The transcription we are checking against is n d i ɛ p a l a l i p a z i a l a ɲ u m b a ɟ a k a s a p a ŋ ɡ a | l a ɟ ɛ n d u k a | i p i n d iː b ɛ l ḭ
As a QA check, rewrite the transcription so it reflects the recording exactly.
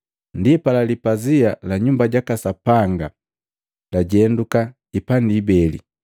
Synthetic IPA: n d i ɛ p a l a l i p a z i a l a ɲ u m b a ɟ a k a s a p a ŋ ɡ a | l a ɟ ɛ n d u k a | i p a n d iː b ɛ l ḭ

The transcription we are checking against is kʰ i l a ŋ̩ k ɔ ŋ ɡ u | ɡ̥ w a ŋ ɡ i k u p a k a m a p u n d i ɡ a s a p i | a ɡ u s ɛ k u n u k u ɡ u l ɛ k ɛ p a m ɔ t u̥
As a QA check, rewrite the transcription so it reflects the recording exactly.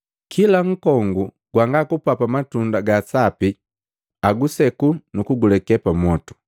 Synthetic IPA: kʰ i l a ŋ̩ k ɔ ŋ ɡ u | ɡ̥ w a ŋ ɡ a k u p a p a m a t u n d a ɡ a s a p i | a ɡ u s ɛ k u n u k u ɡ u l ɛ k ɛ p a m ɔ t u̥

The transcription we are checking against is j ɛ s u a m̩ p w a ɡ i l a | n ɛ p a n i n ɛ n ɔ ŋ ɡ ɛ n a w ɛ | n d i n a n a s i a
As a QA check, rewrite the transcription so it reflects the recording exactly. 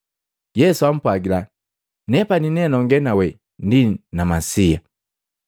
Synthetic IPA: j ɛ s u a m̩ p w a ɡ i l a | n ɛ p a n i n ɛ n ɔ ŋ ɡ ɛ n a w ɛ | n d i n a m a s i a

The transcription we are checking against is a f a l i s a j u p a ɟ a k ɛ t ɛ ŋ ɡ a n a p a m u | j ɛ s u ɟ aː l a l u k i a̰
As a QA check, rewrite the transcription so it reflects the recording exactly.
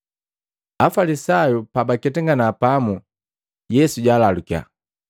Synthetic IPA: a f a l i s a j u p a b a k ɛ t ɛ ŋ ɡ a n a p a m u | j ɛ s u ɟ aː l a l u k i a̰

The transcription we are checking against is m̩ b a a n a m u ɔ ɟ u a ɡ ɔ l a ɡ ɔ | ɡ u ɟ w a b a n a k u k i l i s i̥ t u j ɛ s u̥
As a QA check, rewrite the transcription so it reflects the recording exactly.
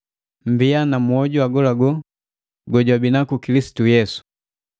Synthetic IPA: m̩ b i a n a m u ɔ ɟ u a ɡ ɔ l a ɡ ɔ | ɡ ɔ ɟ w a b i n a k u k i l i s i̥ t u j ɛ s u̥

